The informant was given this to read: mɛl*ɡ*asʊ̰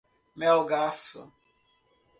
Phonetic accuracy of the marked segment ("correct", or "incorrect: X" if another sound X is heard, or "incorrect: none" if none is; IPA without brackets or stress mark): correct